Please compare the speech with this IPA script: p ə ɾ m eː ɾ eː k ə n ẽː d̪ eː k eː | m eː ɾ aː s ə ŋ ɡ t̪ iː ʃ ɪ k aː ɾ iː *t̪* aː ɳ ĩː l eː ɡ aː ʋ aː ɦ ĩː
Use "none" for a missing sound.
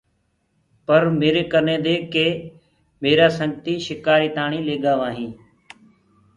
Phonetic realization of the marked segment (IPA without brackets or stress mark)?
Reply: t̪